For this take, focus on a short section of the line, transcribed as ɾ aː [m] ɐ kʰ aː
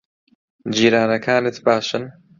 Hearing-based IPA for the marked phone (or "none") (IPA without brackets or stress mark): n